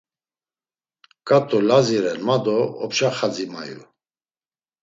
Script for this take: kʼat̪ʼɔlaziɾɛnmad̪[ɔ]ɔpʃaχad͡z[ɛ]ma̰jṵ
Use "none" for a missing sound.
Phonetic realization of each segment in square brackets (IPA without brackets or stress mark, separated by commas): ɔ, i